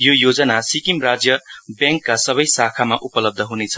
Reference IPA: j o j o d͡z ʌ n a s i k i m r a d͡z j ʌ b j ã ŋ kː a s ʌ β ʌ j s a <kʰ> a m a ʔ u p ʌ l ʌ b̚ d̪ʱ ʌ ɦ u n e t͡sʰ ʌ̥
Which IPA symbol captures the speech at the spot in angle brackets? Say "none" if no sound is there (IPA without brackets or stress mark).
kʰ